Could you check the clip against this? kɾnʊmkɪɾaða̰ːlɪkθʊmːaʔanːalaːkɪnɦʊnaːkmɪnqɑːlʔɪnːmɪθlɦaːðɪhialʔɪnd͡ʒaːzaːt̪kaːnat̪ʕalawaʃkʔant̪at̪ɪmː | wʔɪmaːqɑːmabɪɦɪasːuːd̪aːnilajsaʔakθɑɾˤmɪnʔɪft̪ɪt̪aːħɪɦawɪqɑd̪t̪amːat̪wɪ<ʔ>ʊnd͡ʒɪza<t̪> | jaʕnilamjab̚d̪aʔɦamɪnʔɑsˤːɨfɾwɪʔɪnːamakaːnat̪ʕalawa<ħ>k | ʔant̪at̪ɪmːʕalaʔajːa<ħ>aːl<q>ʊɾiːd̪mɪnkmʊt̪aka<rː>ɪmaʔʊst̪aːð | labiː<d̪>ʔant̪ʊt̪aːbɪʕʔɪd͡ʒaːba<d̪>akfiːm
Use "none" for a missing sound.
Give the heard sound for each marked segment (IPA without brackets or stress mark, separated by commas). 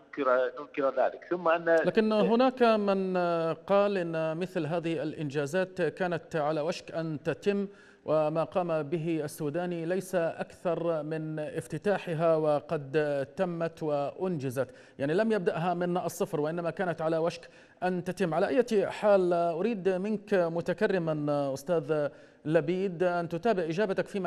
ʔ, t̪, ʃ, ħ, ʔ, rː, d̪, t̪